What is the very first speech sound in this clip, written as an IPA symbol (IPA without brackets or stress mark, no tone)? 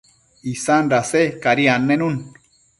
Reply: i